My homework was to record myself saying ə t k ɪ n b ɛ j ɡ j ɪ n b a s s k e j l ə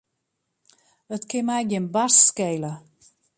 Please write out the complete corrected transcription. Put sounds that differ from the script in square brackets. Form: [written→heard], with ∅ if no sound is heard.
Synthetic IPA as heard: ə t k ɪ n [b→m] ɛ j ɡ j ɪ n b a s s k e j l ə